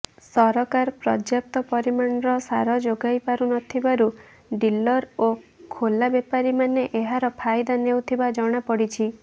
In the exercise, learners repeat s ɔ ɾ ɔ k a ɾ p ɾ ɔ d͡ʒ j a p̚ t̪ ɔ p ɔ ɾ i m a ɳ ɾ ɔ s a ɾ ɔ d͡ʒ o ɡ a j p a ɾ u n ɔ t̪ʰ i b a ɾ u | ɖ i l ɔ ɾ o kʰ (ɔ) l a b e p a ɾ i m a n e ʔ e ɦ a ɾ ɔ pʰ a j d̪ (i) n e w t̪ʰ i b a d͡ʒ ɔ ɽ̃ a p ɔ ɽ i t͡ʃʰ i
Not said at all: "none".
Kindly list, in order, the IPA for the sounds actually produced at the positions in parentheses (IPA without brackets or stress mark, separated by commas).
o, a